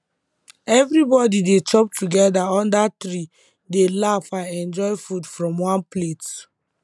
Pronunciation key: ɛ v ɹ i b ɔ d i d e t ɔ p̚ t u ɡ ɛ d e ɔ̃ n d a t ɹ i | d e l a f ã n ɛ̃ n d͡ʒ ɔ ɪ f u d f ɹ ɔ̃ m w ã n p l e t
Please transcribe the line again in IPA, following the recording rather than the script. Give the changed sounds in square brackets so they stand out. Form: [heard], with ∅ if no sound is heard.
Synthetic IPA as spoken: ɛ v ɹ i b ɔ d i d e [t͡ʃ] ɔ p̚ t u ɡ ɛ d [a] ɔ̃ n d a t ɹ i | d e l a f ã n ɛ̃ n d͡ʒ ɔ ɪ f u d f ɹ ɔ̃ m w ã n p l e t